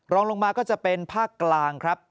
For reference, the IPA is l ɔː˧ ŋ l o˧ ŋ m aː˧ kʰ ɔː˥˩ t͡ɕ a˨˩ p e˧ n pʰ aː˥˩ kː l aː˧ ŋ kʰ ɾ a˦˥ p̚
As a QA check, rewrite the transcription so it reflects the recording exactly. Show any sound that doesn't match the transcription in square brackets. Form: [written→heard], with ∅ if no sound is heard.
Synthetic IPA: [l→ɾ] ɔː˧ ŋ l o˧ ŋ m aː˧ [kʰ→k] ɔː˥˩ t͡ɕ a˨˩ p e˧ n pʰ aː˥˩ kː l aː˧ ŋ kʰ ɾ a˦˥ p̚